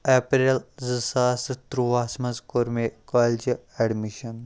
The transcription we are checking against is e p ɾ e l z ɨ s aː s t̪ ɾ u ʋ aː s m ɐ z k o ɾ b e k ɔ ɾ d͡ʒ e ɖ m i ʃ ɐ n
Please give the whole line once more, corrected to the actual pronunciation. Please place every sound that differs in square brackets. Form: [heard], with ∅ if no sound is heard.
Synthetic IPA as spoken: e p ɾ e l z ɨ s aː s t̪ ɾ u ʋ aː s m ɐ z k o ɾ [m] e k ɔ [l] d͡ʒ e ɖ m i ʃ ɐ n